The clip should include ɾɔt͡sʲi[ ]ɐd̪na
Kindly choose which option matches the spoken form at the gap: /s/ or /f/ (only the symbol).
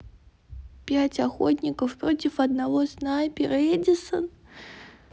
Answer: f